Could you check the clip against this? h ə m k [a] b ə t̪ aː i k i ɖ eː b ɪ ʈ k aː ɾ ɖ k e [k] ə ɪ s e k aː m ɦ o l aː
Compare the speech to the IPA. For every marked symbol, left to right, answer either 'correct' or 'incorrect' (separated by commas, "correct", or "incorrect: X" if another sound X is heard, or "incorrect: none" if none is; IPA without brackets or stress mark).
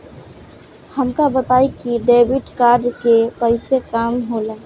correct, incorrect: p